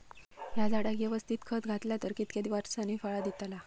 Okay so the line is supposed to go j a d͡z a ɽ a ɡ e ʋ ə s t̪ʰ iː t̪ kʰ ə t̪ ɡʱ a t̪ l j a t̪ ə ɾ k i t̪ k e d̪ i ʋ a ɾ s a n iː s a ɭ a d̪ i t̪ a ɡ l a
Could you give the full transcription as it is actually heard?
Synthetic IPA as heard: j a d͡z a ɽ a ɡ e ʋ ə s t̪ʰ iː t̪ kʰ ə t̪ ɡʱ a t̪ l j a t̪ ə ɾ k i t̪ k e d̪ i ʋ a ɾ s a n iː f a ɭ a d̪ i t̪ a l a